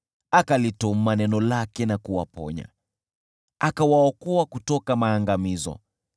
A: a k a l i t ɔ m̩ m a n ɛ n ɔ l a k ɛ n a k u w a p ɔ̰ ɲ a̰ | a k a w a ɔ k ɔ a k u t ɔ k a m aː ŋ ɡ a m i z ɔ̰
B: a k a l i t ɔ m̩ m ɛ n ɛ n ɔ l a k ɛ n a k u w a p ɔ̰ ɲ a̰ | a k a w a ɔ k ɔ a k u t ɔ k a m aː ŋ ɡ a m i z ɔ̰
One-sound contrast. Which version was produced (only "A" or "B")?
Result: A